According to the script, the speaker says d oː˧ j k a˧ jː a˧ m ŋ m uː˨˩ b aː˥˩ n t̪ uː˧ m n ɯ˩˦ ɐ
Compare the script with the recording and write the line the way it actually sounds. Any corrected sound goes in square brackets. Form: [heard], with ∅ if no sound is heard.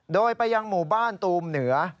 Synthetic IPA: d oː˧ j [p] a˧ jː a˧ [∅] ŋ m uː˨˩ b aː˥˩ n t̪ uː˧ m n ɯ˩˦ ɐ